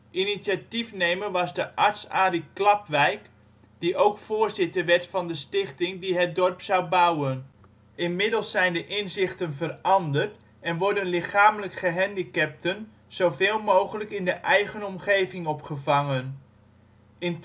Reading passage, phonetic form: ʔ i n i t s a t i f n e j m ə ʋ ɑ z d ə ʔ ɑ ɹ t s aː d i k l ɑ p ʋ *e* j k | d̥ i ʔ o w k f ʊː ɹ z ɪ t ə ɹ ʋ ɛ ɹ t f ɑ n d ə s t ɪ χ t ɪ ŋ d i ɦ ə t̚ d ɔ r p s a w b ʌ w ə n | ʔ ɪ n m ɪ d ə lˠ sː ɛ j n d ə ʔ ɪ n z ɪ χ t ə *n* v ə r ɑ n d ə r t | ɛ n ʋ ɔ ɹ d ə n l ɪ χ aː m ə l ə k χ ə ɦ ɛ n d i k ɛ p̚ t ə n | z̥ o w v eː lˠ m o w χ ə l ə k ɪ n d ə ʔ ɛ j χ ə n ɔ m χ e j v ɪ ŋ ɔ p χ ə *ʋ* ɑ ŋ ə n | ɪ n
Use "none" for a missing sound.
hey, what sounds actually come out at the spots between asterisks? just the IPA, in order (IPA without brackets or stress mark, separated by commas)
ɛ, n, v